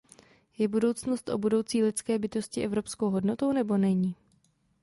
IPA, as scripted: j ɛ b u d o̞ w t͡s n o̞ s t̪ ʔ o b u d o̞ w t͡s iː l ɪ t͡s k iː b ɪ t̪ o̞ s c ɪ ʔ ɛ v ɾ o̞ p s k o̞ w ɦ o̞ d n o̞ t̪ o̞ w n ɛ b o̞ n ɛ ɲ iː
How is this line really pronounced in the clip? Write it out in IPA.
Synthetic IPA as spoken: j ɛ b u d o̞ w t͡s n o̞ s t̪ ʔ o b u d o̞ w t͡s iː l ɪ t͡s k ɛː b ɪ t̪ o̞ s c ɪ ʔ ɛ v ɾ o̞ p s k o̞ w ɦ o̞ d n o̞ t̪ o̞ w n ɛ b o̞ n ɛ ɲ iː